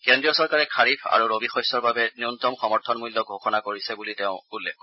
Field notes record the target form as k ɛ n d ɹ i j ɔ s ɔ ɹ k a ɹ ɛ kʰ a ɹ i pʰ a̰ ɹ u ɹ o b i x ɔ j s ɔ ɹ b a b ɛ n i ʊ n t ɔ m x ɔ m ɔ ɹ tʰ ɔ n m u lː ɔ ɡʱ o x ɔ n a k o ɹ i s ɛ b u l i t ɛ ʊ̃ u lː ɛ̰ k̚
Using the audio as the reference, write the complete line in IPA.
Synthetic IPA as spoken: k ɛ n d ɹ i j ɔ s ɔ ɹ k a ɹ ɛ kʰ a ɹ i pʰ a̰ ɹ u ɹ o b i x ɔ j s ɔ ɹ b a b ɛ n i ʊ n t ɔ m x ɔ m ɔ ɹ tʰ ɔ n m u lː ɔ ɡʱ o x ɔ n a k o ɹ i s ɛ b u l i t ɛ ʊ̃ u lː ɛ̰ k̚

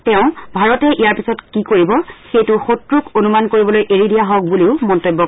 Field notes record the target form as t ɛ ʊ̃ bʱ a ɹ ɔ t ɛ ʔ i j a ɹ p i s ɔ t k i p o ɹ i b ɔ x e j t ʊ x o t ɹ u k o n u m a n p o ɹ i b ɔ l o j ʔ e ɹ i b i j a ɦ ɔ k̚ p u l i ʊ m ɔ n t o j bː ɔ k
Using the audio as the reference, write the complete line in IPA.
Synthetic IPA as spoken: t ɛ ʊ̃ bʱ a ɹ ɔ t ɛ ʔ i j a ɹ p i s ɔ t k i k o ɹ i b ɔ x e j t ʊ x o t ɹ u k o n u m a n k o ɹ i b ɔ l o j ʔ e ɹ i d i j a ɦ ɔ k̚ b u l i ʊ m ɔ n t o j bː ɔ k

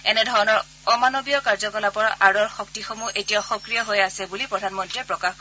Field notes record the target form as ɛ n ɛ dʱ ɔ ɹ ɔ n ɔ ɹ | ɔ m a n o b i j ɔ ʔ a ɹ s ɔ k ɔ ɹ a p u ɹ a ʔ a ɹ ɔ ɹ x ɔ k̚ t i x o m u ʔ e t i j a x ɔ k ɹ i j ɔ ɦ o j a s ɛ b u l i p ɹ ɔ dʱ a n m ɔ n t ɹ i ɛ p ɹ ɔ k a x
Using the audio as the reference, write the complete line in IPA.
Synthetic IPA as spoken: ɛ n ɛ dʱ ɔ ɹ ɔ n ɔ ɹ | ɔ m a n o b i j ɔ k a ɹ z ɔ k ɔ l a p ɔ ɹ a ʔ a ɹ ɔ ɹ x ɔ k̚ t i x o m u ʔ e t i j a x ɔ k ɹ i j ɔ ɦ o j a s ɛ b u l i p ɹ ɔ dʱ a n m ɔ n t ɹ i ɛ p ɹ ɔ k a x

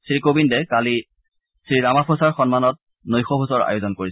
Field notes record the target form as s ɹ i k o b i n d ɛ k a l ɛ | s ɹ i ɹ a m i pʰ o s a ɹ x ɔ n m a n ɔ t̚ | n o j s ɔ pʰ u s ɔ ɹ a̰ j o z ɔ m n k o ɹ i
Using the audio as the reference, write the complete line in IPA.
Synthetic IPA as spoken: s ɹ i k o b i n d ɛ k a l i | s ɹ i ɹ a m a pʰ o s a ɹ x ɔ n m a n ɔ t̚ | n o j x ɔ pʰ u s ɔ ɹ a̰ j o z ɔ n k o ɹ i

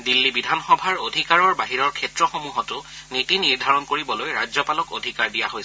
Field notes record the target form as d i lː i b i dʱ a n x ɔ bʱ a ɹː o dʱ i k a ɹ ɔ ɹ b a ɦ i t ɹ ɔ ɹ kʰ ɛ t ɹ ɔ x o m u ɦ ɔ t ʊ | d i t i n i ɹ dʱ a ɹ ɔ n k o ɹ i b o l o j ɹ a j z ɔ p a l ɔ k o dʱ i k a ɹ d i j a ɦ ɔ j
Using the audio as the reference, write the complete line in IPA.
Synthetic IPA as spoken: d i lː i b i dʱ a n x ɔ bʱ a ɹ o dʱ i k a ɹ ɔ ɹ b a ɦ i ɹ ɔ ɹ kʰ ɛ t ɹ ɔ x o m u ɦ ɔ t ʊ | n i t i n i ɹ dʱ a ɹ ɔ n k o ɹ i b ɔ l o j ɹ a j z ɔ p a l ɔ k o dʱ i k a ɹ d i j a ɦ o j

